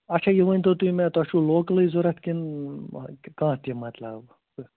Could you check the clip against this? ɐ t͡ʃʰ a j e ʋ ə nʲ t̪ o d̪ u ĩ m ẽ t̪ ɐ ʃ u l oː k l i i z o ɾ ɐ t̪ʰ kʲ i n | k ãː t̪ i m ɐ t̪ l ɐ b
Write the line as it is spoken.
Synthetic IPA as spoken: ɐ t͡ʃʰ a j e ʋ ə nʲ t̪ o t̪ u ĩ m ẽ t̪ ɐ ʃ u l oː k l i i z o ɾ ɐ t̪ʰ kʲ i n | k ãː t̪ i m ɐ t̪ l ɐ b